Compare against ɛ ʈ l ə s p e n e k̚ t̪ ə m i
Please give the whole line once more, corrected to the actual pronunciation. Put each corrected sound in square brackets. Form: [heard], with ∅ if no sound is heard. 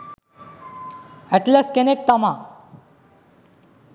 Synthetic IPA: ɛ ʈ l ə s [k] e n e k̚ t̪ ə m [a]